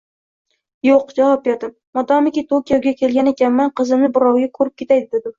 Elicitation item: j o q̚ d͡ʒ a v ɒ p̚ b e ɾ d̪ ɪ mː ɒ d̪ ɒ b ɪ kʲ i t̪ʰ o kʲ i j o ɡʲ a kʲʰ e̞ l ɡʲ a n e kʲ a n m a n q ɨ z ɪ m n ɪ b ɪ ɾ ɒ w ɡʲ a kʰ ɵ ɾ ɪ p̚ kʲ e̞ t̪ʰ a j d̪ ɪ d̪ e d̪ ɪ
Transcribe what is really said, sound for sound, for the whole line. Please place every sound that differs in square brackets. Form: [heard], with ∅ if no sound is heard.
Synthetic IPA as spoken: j o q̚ d͡ʒ a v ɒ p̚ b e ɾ d̪ ɪ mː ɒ d̪ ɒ [m] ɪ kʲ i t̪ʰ o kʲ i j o ɡʲ a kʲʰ e̞ l ɡʲ a n e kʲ a n m a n q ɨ z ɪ m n ɪ b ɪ ɾ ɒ w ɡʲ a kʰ ɵ ɾ ɪ p̚ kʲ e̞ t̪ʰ a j d̪ ɪ d̪ e d̪ ɪ